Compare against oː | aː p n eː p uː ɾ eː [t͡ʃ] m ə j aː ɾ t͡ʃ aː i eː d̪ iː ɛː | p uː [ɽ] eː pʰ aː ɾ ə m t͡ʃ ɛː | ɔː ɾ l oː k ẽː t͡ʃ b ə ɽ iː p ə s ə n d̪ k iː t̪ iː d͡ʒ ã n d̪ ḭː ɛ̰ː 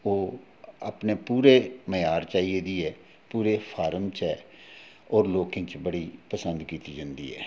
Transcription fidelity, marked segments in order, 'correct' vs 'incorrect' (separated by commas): incorrect, incorrect